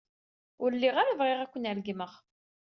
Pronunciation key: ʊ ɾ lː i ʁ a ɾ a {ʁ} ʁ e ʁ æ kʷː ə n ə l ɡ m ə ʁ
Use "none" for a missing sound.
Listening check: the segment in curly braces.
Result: v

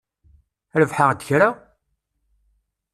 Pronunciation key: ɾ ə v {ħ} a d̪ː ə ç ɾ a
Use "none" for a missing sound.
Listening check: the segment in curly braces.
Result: ħ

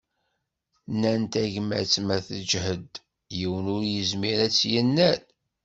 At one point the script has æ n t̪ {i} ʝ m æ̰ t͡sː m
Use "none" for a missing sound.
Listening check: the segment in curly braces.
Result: æ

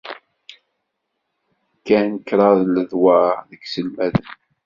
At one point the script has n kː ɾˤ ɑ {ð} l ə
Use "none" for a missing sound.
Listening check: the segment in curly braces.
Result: ð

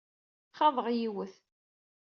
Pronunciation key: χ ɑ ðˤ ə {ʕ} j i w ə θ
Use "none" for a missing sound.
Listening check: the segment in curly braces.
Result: ʁ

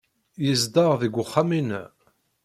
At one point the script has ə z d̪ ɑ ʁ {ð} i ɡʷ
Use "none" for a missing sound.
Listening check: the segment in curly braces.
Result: ð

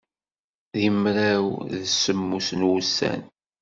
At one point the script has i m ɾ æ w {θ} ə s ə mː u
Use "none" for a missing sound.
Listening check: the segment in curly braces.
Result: ð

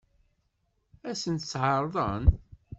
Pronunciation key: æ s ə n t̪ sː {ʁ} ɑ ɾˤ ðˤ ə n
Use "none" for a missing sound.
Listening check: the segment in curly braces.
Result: ʕ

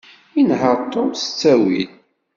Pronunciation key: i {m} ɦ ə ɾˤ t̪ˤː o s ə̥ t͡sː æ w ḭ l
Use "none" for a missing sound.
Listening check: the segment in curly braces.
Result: n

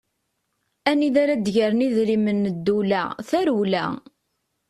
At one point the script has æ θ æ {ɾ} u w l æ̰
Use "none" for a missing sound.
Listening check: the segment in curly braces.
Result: ɾ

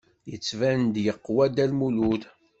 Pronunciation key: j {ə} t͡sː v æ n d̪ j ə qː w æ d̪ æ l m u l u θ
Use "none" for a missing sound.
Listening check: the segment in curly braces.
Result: ə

